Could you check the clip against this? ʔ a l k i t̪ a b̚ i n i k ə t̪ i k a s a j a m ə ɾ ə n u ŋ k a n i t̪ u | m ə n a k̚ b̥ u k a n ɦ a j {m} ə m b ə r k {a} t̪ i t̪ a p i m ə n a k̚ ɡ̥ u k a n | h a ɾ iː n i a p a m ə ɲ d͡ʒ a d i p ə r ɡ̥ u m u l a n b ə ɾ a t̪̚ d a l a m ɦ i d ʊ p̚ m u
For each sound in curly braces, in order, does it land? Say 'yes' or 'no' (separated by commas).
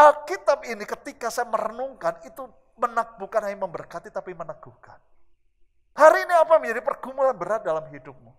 yes, yes